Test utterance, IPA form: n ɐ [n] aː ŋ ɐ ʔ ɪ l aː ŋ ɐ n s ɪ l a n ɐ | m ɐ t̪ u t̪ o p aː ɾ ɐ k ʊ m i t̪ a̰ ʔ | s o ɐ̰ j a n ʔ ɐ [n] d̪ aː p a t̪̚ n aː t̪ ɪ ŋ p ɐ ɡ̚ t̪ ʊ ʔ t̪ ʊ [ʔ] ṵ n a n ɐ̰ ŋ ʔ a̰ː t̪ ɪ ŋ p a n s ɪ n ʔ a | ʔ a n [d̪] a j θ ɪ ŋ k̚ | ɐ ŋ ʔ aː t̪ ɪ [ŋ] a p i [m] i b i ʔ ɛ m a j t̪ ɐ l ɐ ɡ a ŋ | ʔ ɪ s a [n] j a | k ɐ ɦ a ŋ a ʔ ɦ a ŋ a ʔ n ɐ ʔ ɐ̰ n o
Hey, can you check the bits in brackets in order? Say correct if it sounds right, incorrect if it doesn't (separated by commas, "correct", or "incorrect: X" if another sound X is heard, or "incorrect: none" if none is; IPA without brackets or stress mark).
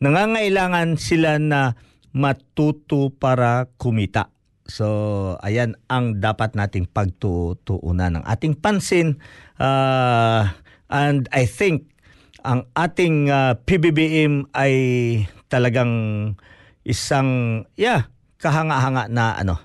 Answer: incorrect: ŋ, incorrect: ŋ, correct, correct, correct, incorrect: b, incorrect: ŋ